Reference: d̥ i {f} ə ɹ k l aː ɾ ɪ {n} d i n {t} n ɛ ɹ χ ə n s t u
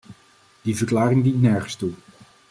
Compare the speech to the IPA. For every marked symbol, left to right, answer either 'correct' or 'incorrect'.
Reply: incorrect, incorrect, correct

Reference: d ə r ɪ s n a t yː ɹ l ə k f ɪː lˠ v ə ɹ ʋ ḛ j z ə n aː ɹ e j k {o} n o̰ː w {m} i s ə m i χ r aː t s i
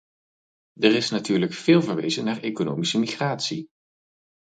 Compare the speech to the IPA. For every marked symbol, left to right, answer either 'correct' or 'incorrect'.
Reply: correct, correct

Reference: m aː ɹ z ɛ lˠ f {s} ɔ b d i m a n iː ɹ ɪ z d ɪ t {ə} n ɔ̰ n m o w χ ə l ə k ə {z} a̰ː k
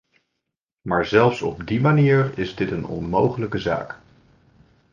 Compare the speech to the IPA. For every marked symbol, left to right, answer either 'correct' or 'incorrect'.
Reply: correct, correct, correct

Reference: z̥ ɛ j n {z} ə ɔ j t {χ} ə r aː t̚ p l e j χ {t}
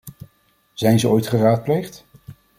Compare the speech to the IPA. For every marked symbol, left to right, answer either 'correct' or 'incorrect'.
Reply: correct, correct, correct

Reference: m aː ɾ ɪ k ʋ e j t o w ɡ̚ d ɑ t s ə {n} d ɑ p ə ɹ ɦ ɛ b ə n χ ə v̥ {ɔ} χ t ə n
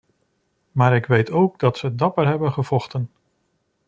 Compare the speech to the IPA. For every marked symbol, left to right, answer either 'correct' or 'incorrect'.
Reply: incorrect, correct

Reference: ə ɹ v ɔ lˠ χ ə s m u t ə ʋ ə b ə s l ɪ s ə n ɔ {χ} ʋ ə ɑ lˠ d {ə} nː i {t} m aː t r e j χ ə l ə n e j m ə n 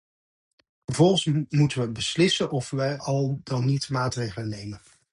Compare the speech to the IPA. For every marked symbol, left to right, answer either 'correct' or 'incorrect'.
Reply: incorrect, incorrect, correct

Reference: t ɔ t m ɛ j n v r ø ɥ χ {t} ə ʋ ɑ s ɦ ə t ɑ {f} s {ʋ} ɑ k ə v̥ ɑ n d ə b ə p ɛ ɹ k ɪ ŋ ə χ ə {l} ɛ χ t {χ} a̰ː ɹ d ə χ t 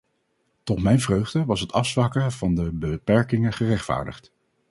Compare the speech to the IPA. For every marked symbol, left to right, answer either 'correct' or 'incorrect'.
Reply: incorrect, correct, correct, incorrect, incorrect

